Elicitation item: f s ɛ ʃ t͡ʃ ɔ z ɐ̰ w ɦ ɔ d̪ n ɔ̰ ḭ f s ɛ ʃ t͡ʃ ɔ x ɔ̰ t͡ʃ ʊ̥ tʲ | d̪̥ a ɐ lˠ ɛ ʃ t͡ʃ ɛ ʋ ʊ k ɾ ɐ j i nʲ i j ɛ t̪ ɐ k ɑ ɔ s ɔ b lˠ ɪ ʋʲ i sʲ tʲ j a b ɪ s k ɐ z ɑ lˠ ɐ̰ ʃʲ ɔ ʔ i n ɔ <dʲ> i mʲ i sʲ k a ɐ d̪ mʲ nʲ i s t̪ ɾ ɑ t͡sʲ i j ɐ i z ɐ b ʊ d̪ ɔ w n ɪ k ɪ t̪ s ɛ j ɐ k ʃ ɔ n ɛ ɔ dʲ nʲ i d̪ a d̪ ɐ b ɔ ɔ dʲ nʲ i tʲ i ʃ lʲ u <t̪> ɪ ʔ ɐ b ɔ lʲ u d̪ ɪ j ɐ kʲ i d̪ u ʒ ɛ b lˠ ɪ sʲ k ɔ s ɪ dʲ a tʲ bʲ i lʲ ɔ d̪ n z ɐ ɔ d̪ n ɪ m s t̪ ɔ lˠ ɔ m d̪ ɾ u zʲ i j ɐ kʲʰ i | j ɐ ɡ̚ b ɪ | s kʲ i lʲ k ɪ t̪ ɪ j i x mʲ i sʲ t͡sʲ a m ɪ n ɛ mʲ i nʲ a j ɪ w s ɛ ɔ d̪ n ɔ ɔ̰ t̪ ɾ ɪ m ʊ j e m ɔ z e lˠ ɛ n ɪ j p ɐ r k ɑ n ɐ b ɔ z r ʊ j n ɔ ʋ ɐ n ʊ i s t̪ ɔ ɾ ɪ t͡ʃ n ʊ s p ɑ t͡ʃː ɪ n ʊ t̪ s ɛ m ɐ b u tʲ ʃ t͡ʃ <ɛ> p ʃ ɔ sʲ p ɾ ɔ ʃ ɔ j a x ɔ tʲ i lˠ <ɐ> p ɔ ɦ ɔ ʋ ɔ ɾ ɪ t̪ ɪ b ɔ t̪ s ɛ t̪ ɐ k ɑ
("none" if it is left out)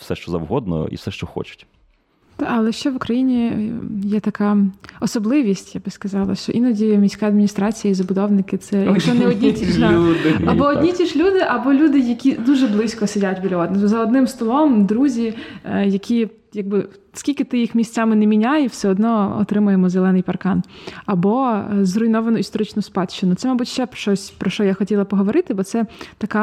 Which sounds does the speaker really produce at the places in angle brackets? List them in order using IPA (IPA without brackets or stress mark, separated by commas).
dʲ, d̪, ɛ, ɐ